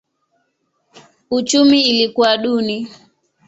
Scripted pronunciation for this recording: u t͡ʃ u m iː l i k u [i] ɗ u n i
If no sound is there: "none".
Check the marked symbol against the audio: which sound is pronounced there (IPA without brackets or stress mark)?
a